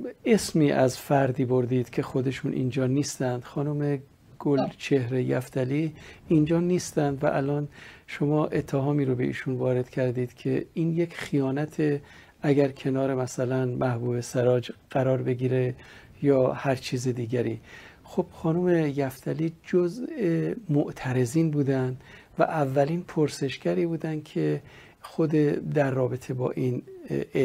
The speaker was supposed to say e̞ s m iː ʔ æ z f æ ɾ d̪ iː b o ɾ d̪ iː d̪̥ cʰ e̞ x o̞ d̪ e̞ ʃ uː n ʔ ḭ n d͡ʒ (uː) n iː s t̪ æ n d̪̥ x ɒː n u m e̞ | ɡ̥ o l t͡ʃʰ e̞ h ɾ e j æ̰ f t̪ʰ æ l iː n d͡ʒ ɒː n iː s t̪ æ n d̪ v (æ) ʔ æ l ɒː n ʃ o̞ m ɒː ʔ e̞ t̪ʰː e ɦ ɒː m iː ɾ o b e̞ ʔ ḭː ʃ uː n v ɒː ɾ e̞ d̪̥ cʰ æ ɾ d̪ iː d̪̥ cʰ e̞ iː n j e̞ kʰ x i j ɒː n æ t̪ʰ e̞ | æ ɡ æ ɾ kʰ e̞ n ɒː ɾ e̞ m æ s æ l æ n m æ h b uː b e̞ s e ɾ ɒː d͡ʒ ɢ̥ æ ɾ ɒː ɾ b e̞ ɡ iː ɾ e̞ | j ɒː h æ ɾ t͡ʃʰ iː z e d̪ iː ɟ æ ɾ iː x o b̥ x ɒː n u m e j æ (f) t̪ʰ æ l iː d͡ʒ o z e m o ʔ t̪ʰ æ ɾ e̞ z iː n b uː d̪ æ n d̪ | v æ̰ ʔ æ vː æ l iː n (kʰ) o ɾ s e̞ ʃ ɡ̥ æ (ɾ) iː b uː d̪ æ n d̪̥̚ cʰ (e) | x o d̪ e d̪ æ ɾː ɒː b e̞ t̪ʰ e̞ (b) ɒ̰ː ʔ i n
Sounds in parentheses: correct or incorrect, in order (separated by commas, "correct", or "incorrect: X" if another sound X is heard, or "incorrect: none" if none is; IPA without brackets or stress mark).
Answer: incorrect: ɒː, correct, correct, incorrect: pʰ, correct, correct, correct